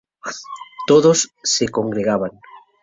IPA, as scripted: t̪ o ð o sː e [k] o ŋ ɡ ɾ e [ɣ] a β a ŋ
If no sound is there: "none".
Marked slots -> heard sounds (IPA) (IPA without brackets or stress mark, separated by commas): k, ɣ